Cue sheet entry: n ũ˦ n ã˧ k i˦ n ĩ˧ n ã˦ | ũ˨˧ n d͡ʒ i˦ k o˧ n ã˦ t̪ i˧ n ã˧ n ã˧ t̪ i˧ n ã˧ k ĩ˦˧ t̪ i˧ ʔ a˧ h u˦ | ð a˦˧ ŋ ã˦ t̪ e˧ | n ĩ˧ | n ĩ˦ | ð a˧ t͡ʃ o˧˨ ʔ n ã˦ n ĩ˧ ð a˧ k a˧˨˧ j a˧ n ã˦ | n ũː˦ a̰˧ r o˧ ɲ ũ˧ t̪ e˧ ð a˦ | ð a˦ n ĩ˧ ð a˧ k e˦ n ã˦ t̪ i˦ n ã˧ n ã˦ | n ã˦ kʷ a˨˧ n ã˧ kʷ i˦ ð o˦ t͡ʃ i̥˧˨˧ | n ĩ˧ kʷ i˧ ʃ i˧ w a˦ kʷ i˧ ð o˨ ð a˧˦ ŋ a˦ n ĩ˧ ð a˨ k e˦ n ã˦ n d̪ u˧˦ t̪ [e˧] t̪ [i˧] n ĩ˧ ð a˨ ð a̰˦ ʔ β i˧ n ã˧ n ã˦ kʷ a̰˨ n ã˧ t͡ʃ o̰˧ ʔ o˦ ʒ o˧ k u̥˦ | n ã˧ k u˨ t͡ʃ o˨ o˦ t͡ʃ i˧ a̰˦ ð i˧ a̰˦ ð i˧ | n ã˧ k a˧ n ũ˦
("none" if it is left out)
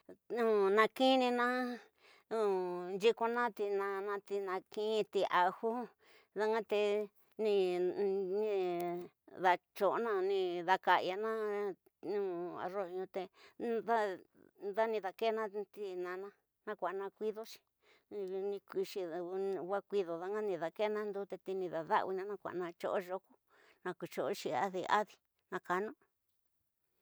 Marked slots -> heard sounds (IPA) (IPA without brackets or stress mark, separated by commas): e˧, i˧